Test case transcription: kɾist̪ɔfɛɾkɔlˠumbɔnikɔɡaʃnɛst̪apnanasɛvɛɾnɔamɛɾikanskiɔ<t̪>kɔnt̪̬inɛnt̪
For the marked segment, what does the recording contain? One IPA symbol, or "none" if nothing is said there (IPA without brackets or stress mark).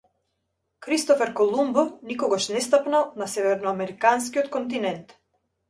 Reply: t̪